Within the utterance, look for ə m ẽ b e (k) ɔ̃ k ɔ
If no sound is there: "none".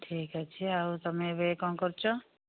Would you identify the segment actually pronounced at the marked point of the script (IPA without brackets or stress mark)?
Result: k